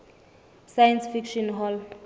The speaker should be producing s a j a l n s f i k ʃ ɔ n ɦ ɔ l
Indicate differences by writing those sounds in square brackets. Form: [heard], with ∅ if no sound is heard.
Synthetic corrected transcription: s a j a [∅] n s f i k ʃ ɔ n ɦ ɔ l